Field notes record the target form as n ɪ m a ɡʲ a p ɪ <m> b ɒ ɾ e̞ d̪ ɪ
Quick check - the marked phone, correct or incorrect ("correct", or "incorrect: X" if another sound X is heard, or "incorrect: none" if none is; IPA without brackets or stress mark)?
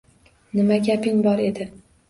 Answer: incorrect: ŋ